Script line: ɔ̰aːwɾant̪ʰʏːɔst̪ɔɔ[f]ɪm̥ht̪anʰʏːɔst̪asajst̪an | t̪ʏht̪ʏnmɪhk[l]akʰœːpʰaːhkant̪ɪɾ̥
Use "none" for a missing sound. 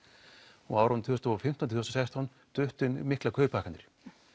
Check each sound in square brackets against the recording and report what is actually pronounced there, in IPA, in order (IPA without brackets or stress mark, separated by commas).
f, l